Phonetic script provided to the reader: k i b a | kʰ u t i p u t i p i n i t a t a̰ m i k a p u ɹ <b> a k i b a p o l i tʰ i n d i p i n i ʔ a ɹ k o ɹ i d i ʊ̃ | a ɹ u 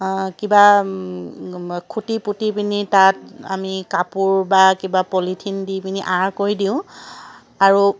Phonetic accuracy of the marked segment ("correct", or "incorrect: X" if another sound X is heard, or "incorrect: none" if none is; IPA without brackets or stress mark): correct